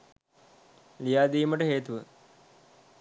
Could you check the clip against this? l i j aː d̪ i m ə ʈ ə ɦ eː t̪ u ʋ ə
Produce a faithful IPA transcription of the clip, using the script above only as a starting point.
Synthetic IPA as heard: l i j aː d̪ iː m ə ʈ ə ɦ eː t̪ u ʋ ə